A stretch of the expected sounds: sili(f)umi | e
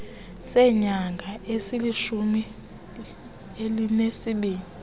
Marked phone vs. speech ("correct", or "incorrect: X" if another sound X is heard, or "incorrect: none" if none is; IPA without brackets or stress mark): incorrect: ʃ